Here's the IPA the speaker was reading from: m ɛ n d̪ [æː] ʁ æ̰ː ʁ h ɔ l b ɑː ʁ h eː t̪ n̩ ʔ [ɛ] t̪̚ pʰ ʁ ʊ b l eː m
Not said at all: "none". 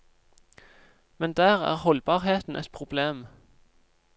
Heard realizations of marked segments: æː, ɛ

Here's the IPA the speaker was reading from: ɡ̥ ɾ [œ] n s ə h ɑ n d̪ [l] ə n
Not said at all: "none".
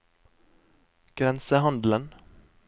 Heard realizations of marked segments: ɛ, l

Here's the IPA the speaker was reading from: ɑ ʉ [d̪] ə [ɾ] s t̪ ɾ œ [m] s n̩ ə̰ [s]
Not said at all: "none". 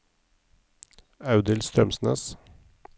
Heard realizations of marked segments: d̪, l, m, s

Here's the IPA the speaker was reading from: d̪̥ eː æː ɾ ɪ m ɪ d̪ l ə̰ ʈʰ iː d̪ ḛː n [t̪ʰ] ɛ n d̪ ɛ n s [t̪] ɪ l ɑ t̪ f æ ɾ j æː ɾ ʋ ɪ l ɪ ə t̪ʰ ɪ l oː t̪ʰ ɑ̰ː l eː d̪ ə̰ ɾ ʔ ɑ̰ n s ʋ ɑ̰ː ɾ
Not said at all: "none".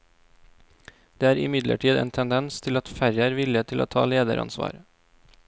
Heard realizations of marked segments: t̪ʰ, t̪ʰ

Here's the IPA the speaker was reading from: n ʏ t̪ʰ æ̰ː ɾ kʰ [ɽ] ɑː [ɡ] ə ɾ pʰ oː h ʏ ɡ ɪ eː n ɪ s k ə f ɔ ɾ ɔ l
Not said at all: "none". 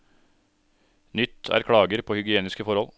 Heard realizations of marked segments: ɽ, ɡ

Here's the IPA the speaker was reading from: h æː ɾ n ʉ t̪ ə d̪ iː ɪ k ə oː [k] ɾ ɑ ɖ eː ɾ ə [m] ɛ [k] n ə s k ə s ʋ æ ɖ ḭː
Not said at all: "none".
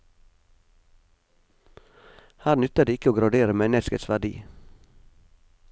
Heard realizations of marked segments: ɡ, m, none

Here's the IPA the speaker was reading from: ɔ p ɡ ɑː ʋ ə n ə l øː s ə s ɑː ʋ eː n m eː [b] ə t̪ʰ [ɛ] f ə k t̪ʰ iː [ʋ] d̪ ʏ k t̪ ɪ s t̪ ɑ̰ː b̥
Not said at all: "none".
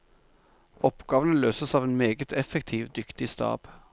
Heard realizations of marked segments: ɡ, ɛ, ʋ

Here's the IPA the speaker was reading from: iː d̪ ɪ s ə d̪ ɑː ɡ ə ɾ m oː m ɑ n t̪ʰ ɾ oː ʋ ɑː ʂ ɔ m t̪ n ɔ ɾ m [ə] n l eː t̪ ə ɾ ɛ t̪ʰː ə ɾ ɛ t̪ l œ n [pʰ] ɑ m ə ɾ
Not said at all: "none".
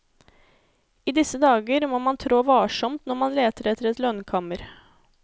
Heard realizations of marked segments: ɑ, kʰ

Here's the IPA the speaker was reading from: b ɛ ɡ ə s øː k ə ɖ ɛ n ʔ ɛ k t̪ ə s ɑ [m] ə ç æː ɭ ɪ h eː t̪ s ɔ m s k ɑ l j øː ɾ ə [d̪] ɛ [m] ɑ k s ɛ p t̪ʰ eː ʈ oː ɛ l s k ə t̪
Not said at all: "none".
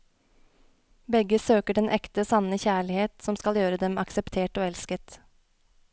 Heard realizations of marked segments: n, d̪, m

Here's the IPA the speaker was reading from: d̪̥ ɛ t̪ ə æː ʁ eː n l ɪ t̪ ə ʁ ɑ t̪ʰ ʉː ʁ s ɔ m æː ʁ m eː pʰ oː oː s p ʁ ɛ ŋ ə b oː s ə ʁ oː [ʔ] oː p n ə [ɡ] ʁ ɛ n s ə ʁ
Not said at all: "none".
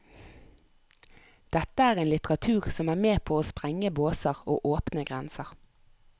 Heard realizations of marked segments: ʔ, ɡ

